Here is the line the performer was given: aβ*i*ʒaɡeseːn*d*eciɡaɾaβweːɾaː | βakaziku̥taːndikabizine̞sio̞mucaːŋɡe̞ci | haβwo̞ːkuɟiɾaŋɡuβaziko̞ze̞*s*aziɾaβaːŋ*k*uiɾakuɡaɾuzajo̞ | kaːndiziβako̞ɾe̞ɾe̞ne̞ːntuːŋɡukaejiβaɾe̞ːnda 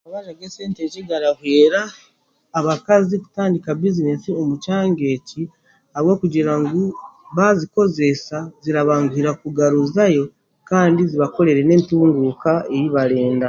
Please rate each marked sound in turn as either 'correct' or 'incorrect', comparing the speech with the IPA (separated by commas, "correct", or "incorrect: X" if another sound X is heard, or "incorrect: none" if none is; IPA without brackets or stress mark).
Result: incorrect: a, incorrect: t, correct, incorrect: ɡ